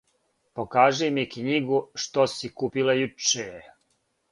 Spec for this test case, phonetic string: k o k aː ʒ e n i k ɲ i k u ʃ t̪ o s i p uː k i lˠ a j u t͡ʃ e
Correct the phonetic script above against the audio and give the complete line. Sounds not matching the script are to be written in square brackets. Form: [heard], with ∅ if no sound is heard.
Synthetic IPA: [p] o k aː ʒ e [m] i k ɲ i [ɡ] u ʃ t̪ o s i [k] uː [p] i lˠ a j u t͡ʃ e